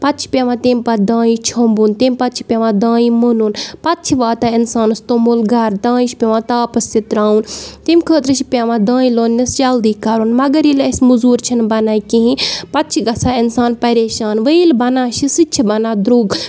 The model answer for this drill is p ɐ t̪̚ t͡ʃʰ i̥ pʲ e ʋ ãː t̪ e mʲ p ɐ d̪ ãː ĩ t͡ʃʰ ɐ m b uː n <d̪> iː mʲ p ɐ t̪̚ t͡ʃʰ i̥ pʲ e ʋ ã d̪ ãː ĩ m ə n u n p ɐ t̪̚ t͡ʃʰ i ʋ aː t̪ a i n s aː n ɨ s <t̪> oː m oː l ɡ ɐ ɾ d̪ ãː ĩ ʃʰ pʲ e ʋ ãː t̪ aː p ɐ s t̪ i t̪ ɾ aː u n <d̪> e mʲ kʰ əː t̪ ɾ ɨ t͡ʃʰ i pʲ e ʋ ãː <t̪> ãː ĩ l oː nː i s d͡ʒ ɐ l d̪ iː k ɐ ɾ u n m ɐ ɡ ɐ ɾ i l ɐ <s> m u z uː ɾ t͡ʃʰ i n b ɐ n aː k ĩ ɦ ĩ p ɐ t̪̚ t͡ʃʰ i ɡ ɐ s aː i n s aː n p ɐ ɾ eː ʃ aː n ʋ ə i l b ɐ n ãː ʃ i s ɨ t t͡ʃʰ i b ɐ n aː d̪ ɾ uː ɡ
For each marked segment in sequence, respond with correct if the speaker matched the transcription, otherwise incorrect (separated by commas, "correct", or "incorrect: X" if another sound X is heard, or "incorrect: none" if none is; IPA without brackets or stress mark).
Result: incorrect: t̪, correct, incorrect: t̪, incorrect: d̪, correct